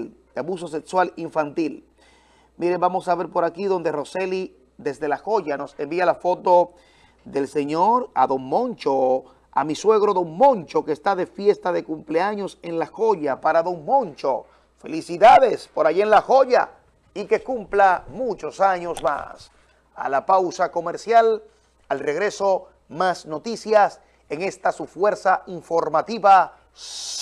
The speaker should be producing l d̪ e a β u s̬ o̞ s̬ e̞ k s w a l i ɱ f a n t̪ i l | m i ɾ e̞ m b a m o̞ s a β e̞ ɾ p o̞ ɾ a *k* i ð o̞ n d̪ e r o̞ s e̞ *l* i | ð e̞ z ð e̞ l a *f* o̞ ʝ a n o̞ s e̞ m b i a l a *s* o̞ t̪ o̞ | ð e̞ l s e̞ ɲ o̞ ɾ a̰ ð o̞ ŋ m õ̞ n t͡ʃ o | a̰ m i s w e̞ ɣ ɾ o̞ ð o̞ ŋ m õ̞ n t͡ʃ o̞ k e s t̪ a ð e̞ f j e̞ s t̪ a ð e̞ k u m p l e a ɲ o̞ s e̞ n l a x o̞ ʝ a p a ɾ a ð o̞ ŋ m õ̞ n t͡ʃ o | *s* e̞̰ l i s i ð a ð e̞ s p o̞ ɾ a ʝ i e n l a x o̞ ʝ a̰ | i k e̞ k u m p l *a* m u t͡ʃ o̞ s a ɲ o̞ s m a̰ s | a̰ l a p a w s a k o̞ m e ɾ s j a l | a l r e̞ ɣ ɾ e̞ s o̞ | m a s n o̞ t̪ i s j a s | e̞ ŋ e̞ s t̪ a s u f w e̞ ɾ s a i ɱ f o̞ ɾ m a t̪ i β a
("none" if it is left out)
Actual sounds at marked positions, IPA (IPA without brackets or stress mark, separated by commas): k, l, x, f, f, a